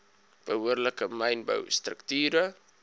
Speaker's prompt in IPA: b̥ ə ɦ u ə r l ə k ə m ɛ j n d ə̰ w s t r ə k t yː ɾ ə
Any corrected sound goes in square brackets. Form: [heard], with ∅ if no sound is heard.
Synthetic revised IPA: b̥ ə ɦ u ə r l ə k ə m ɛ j n [b] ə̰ w s t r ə k t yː ɾ ə

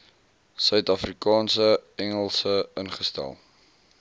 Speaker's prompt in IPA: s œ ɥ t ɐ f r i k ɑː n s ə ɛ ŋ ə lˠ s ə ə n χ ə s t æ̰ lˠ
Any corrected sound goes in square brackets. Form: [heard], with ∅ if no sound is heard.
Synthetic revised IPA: s œ ɥ t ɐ f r i k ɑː n s ə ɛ ŋ ə lˠ s ə ə n χ ə s t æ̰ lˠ

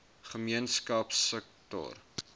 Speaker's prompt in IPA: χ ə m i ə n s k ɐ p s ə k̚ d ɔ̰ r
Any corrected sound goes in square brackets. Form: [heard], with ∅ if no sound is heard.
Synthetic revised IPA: χ ə m i ə n s k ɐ p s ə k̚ [t] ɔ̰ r

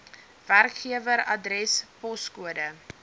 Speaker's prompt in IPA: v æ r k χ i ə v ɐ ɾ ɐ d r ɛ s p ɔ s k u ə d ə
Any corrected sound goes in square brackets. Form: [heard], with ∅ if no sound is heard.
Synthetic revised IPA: v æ r k χ i ə v [ə] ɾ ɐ d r ɛ s p ɔ s k u ə d ə

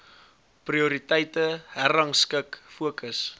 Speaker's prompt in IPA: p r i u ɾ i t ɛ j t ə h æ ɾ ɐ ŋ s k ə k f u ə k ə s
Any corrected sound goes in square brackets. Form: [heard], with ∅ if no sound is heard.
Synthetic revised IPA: p r i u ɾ i t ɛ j t ə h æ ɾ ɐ ŋ s k ə k f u ə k ə s

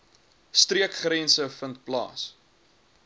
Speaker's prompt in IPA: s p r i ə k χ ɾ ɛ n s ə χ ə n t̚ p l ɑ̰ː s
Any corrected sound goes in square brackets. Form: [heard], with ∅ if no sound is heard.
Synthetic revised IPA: s [t] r i ə k χ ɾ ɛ n s ə [f] ə n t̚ p l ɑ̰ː s

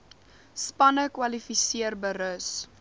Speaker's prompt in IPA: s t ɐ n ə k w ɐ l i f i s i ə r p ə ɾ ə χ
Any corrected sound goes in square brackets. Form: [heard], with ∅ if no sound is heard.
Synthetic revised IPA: s [p] ɐ n ə k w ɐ l i f i s i ə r [b] ə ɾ ə [s]

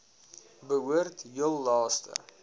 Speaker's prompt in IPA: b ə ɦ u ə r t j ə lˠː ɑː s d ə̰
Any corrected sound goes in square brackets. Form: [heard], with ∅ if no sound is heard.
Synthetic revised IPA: b ə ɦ u ə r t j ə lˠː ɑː s [t] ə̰

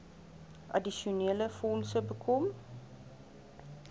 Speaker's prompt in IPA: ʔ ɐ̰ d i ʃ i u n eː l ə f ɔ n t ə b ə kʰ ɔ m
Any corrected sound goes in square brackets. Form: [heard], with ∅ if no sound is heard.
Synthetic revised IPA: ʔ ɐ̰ d i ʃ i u n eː l ə f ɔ n [s] ə b ə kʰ ɔ m

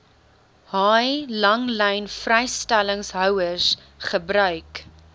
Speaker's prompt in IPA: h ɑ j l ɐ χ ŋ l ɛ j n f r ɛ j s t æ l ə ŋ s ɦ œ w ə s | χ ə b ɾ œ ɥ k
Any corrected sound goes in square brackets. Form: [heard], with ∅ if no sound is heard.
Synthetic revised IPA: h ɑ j l ɐ [∅] ŋ l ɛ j n f r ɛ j s t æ l ə ŋ s ɦ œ w ə s | χ ə b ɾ œ ɥ k

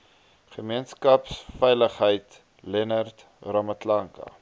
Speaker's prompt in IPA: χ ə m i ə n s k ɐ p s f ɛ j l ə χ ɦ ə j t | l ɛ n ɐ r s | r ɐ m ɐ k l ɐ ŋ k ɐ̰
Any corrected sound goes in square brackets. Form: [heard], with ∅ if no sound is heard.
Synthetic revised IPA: χ ə m i ə n s k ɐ p s f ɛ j l ə χ ɦ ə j t | l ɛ n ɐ r [t] | r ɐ m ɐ [t] l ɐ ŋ k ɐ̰

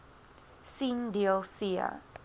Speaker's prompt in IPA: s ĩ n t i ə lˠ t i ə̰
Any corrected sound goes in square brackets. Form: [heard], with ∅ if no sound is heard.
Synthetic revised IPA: s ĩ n [d] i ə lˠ [s] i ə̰

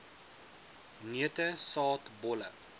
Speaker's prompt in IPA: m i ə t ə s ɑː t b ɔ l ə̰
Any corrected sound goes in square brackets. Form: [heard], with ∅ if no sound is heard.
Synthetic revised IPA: [n] i ə t ə s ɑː t b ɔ l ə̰

